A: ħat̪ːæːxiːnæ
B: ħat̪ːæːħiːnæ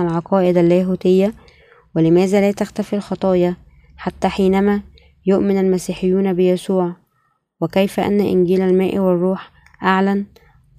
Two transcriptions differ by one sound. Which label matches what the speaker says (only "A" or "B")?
B